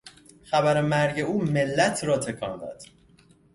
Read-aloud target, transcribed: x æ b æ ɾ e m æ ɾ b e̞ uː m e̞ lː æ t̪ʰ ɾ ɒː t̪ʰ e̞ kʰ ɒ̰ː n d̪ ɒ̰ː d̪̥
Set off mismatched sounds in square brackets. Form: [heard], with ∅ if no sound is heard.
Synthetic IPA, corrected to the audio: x æ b æ ɾ e m æ ɾ [ɟ] e̞ uː m e̞ lː æ t̪ʰ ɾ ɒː t̪ʰ e̞ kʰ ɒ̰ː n d̪ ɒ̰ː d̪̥